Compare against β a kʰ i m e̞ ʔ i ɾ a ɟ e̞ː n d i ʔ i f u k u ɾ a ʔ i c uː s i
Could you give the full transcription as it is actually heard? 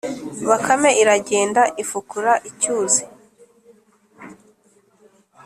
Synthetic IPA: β a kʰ a m e̞ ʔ i ɾ a ɟ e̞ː n d a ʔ i f u k u ɾ a ʔ i c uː z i